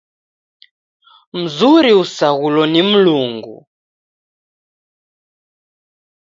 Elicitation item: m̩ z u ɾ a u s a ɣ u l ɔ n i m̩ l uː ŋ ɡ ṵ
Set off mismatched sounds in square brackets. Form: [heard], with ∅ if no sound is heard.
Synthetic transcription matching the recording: m̩ z u ɾ [i] u s a ɣ u l ɔ n i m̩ l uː ŋ ɡ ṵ

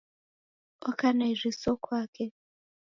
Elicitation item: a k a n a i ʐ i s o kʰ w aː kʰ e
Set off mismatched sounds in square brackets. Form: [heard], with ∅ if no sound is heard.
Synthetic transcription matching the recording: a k a n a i ʐ i s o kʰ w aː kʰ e

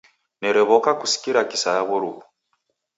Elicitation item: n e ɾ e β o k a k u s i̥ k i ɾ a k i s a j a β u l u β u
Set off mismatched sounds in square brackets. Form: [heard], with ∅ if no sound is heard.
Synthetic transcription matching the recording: n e ɾ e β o k a k u s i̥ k i ɾ a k i s a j a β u [ɾ] u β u

